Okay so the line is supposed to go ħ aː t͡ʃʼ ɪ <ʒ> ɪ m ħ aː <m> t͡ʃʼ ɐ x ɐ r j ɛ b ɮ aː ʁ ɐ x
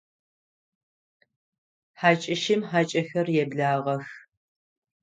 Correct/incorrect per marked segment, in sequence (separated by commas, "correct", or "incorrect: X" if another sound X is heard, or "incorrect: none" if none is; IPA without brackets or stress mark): incorrect: ʃ, incorrect: none